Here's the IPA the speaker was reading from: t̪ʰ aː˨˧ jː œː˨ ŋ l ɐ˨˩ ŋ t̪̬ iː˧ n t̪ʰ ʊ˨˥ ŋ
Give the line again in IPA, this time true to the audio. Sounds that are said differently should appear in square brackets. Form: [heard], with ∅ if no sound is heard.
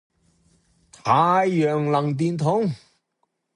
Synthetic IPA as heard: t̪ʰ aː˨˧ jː œː˨ ŋ l ɐ˨˩ ŋ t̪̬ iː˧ n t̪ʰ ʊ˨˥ ŋ